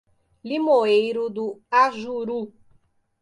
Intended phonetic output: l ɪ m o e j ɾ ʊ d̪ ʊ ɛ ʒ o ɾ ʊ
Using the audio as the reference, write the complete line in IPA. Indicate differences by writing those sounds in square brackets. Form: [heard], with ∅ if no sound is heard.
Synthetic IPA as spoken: l [i] m o e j ɾ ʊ d̪ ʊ [a] ʒ [u] ɾ [u]

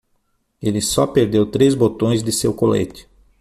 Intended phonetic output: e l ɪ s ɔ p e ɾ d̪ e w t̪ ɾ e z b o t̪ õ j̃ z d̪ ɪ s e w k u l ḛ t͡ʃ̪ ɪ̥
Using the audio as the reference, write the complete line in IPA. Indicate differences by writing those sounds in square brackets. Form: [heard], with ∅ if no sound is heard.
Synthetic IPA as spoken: e l ɪ s ɔ p e ɾ d̪ e w t̪ ɾ e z b o t̪ õ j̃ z d̪ ɪ s e w k [o] l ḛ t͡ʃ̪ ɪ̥

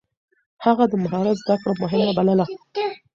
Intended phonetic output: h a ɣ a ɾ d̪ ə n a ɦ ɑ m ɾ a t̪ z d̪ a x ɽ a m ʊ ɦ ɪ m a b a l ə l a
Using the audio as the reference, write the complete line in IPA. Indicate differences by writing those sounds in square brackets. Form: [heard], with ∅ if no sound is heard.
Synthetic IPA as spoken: h a ɣ a [∅] d̪ ə [m] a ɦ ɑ [∅] ɾ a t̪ z d̪ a [k] ɽ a m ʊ ɦ ɪ m a b a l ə l a

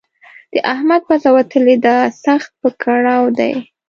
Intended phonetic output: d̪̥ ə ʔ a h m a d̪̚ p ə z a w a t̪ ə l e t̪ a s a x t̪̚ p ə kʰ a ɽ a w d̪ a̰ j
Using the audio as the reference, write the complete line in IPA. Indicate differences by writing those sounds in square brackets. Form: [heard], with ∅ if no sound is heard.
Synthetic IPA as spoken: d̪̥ ə ʔ a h m a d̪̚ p [a] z a w a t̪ ə l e [d̪] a s a x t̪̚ p ə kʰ a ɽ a w d̪ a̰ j

